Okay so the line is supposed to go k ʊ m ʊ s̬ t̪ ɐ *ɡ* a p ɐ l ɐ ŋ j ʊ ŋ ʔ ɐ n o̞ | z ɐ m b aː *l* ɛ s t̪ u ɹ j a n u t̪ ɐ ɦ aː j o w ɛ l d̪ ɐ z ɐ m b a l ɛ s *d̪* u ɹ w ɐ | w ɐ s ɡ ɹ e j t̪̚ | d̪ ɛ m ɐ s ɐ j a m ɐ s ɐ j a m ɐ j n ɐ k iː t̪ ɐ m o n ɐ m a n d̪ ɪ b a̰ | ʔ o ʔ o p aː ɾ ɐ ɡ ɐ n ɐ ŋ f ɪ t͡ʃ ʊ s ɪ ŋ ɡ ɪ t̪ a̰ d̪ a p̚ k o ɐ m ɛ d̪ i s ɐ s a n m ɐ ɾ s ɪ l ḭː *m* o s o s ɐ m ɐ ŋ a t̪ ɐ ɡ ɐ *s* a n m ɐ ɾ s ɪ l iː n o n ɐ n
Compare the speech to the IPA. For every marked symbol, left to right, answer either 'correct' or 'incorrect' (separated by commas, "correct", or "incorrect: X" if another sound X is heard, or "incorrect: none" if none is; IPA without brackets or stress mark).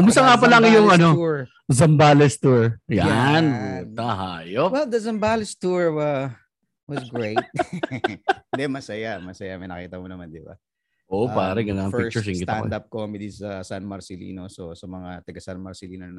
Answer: incorrect: ŋ, correct, incorrect: t̪, incorrect: n, correct